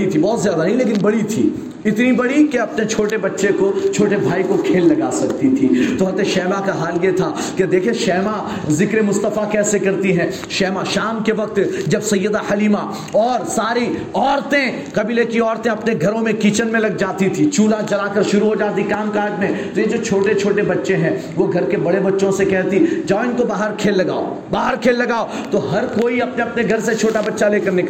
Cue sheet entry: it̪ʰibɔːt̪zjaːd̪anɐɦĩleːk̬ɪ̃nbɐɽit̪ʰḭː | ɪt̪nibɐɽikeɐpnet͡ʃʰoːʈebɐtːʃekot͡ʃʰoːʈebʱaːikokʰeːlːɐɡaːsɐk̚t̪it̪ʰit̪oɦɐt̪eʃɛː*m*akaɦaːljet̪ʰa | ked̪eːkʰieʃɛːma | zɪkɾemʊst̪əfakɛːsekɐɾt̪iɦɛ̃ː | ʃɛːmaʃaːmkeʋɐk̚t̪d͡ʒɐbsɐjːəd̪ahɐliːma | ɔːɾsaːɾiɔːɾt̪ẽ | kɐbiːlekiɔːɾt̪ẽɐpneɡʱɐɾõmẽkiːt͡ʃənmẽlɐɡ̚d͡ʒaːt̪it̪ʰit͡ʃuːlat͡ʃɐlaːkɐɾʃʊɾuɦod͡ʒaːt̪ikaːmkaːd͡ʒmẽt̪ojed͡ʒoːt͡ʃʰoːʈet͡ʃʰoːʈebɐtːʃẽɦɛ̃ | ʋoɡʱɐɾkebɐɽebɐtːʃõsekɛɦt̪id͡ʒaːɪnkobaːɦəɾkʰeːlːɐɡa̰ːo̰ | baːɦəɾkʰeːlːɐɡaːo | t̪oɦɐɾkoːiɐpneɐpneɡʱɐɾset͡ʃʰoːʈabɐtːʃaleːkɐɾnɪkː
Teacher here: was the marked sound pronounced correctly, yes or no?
yes